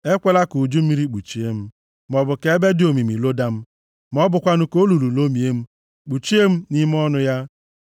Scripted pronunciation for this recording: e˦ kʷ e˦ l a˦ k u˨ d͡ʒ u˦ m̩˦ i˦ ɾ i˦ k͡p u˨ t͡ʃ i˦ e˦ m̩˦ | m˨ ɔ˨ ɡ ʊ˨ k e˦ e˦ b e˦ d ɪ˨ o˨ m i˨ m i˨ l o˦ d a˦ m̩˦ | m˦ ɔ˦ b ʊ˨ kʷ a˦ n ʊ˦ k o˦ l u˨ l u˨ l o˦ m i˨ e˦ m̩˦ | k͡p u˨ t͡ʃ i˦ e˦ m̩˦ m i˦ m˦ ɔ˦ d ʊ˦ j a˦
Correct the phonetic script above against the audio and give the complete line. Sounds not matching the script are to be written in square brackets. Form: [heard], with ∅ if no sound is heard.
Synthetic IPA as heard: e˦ kʷ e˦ l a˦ k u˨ d͡ʒ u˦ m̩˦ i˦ ɾ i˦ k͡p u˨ t͡ʃ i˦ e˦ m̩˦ | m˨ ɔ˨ [b] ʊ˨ k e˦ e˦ b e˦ d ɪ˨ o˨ m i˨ m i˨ l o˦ d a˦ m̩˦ | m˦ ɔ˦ b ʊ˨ kʷ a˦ n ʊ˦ k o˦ l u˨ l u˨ l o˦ m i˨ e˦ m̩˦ | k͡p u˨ t͡ʃ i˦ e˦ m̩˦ [n] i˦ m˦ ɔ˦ [n] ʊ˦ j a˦